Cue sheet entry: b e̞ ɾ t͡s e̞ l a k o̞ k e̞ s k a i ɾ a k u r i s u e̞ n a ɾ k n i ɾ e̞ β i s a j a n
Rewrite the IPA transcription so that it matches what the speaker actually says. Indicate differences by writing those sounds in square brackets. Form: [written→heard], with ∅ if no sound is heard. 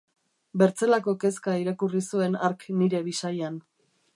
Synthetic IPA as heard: b e̞ ɾ t͡s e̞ l a k o̞ k e̞ s k a i ɾ a k u r i s u e̞ n a ɾ k n i ɾ e̞ β i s a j a n